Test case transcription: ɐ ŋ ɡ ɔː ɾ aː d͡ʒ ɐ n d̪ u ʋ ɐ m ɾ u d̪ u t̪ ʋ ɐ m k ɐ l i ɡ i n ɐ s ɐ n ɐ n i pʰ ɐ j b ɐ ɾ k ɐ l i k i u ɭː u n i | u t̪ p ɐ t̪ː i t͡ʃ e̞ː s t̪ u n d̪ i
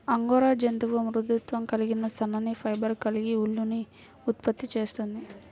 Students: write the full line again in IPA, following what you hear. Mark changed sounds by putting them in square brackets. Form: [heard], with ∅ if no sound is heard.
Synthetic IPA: ɐ ŋ ɡ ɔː ɾ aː d͡ʒ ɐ n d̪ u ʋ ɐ m ɾ u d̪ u t̪ ʋ ɐ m k ɐ l i ɡ i n ɐ s ɐ n ɐ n i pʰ ɐ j b ɐ ɾ k ɐ l i [ɡ] i u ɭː u n i | u t̪ p ɐ t̪ː i t͡ʃ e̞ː s t̪ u n d̪ i